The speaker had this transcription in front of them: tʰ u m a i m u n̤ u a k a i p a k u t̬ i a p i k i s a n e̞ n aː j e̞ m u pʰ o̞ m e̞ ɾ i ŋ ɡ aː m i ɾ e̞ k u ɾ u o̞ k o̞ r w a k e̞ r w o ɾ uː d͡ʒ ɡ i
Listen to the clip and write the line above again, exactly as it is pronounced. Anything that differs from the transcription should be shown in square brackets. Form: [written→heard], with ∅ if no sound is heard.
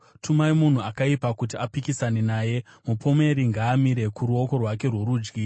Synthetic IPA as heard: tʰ u m a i m u n̤ u a k a i p a k u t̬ i a p i k i s a n e̞ n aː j e̞ m u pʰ o̞ m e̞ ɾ i ŋ ɡ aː m i ɾ e̞ k u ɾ u o̞ k o̞ r w a k e̞ r w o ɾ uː d͡ʒ ɡ i